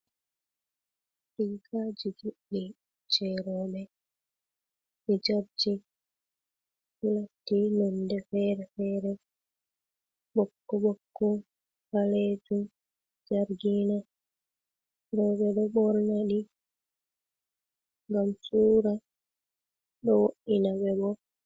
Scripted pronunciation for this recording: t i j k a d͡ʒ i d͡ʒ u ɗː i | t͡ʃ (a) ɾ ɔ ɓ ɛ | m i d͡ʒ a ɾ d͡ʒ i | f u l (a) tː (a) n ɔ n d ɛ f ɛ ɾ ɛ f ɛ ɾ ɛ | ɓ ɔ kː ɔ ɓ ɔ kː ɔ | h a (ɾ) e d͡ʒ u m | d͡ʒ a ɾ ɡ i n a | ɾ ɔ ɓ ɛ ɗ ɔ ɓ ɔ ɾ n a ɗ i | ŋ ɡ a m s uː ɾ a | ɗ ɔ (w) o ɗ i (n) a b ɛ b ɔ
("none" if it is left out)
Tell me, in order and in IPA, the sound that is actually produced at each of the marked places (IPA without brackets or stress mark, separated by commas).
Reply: ɛ, a, i, l, w, n